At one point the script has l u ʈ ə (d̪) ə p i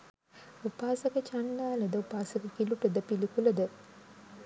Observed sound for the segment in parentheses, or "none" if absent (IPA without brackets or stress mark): d̪